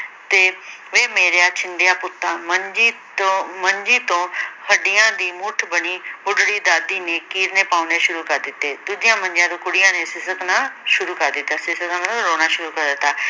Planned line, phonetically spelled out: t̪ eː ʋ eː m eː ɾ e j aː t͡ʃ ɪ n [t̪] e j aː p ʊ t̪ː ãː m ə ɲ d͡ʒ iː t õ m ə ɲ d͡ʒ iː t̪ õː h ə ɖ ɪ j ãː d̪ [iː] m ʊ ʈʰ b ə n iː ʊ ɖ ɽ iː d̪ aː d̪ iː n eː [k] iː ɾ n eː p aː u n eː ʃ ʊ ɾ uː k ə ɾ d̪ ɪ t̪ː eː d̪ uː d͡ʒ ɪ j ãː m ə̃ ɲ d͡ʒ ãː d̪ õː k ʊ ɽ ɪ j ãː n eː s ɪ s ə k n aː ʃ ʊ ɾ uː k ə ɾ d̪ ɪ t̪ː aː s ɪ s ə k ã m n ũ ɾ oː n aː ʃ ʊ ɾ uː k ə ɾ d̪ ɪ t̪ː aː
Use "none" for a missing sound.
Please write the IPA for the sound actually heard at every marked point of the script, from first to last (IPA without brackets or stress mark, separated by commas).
d̪, iː, k